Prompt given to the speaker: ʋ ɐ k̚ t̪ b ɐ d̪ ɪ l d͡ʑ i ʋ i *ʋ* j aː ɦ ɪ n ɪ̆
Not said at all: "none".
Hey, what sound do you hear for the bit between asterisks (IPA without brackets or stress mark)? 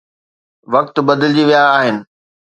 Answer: none